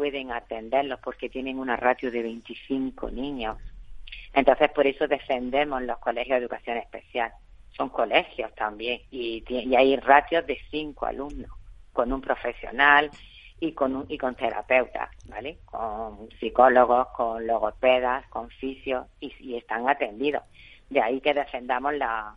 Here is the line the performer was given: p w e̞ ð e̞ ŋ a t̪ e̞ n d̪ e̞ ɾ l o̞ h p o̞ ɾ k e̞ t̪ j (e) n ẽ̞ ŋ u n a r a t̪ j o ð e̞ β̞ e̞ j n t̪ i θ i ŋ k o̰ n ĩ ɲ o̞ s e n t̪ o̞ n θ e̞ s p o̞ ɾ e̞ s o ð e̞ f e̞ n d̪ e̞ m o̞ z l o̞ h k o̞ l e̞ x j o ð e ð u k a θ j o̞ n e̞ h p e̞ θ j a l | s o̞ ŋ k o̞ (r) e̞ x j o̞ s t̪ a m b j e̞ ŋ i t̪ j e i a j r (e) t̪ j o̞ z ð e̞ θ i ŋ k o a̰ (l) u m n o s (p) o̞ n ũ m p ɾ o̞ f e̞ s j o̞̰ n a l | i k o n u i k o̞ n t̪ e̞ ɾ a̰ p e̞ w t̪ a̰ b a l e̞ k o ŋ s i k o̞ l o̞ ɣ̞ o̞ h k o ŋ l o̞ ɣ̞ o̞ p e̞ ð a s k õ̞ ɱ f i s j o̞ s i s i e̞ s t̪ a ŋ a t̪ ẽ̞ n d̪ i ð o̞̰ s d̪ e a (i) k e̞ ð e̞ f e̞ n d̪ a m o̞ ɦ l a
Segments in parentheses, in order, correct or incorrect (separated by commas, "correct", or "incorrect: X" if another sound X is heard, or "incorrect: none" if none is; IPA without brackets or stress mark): correct, incorrect: l, incorrect: a, correct, incorrect: k, correct